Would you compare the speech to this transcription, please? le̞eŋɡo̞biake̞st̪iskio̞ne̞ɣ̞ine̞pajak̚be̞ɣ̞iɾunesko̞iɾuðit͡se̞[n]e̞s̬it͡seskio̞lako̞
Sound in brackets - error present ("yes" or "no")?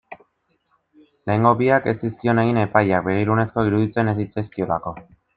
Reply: no